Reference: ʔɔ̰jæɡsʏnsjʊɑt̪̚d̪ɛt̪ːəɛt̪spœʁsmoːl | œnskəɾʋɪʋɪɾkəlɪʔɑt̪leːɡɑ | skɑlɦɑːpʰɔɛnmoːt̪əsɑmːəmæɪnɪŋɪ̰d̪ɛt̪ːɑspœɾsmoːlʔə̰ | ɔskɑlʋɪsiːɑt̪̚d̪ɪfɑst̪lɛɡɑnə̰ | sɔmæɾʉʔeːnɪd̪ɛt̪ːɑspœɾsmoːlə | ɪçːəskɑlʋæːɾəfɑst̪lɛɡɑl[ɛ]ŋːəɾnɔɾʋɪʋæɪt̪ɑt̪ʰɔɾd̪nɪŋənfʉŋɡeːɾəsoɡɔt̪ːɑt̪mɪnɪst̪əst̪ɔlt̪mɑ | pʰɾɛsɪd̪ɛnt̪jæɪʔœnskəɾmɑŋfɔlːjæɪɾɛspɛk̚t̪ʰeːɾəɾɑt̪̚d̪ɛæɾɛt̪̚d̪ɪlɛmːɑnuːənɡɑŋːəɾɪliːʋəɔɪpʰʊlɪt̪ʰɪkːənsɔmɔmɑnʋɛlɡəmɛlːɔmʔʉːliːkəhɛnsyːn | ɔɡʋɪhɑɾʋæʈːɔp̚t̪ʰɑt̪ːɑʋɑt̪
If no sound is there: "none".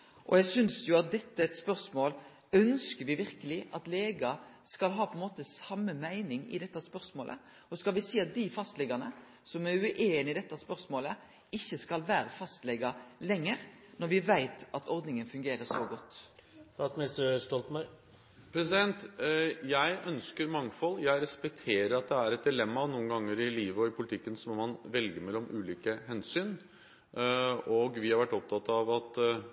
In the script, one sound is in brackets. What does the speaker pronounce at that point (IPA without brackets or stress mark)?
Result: ɛ